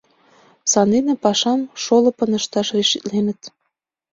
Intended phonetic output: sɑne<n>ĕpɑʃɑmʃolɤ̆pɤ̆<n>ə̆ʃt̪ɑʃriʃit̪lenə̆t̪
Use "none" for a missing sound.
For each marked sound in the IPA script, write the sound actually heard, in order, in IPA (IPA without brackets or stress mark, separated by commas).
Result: n, n